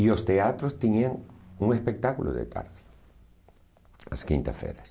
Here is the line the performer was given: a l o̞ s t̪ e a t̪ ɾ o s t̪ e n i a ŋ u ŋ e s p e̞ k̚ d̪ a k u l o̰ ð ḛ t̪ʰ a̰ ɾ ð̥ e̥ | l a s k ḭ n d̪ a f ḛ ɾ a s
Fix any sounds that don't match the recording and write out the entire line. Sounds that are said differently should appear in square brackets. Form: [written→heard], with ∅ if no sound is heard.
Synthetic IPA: [a→i] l o̞ s t̪ e a t̪ ɾ o s t̪ e n i a ŋ u ŋ e s p e̞ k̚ [d̪→t̪] a k u l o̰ ð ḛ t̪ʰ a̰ ɾ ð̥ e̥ | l a s k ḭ n [d̪→t̪] a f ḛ ɾ a s